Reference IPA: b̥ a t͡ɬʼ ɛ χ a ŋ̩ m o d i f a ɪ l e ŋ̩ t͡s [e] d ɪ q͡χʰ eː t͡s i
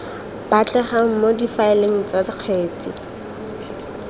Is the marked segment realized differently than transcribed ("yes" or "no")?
yes